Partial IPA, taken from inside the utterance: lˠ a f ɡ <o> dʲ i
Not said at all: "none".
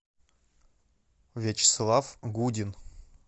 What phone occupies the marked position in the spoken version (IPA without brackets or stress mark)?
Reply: u